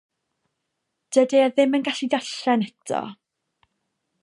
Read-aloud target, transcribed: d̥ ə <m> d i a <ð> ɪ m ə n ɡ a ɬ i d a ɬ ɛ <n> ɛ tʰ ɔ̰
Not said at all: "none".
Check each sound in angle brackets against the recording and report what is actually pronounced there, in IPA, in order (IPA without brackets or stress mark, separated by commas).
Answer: none, ð, n